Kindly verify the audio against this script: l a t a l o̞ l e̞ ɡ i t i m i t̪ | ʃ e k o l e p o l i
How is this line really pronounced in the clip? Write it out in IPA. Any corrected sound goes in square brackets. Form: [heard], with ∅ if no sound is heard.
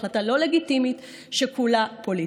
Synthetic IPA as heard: l a t a l o̞ l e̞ ɡ i t i m i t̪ | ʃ e k [u] l [a] p o l i